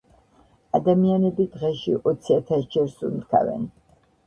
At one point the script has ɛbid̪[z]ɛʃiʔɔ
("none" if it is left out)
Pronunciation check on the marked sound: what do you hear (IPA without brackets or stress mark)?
ʁ